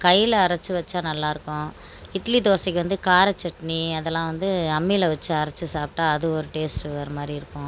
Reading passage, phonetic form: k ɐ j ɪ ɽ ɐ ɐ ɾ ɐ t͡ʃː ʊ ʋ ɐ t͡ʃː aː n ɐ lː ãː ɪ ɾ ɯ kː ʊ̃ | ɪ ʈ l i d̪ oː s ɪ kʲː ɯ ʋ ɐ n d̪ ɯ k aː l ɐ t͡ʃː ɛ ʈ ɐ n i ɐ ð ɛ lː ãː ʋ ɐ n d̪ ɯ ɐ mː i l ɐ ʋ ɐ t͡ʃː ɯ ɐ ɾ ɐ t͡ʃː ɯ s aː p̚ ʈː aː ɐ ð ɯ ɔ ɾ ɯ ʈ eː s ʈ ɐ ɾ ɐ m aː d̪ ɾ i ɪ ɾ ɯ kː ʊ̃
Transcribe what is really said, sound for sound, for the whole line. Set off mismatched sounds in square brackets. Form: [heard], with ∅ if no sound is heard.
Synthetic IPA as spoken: k ɐ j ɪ [l] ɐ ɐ ɾ ɐ t͡ʃː [ɯ] ʋ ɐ t͡ʃː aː n ɐ lː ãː ɪ ɾ ɯ kː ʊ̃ | ɪ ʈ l i d̪ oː s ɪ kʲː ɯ ʋ ɐ n d̪ ɯ k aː [ɾ] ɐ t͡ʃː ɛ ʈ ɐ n i ɐ ð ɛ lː ãː ʋ ɐ n d̪ ɯ ɐ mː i l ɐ ʋ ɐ t͡ʃː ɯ ɐ ɾ ɐ t͡ʃː ɯ s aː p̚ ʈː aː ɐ ð ɯ ɔ ɾ ɯ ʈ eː s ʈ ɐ ɾ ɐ m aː d̪ ɾ i ɪ ɾ ɯ kː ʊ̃